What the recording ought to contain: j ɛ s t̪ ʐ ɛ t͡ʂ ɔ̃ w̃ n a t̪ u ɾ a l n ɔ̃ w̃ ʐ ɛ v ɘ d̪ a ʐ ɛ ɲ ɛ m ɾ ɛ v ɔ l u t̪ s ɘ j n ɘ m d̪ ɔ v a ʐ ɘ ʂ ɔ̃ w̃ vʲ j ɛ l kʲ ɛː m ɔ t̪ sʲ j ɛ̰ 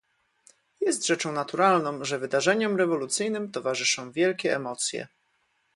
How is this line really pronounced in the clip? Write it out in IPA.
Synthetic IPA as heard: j ɛ s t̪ ʐ ɛ t͡ʂ ɔ̃ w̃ n a t̪ u ɾ a l n ɔ̃ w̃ ʐ ɛ v ɘ d̪ a ʐ ɛ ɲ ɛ m ɾ ɛ v ɔ l u t̪ s ɘ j n ɘ m t̪ ɔ v a ʐ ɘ ʂ ɔ̃ w̃ vʲ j ɛ l kʲ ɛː m ɔ t̪ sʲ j ɛ̰